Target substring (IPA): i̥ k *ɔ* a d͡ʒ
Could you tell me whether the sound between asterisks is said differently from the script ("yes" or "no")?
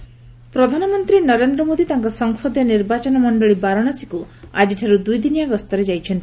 yes